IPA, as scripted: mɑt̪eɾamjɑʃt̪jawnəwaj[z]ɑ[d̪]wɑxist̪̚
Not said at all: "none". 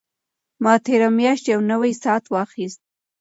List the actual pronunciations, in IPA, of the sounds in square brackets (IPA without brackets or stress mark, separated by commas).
s, t̪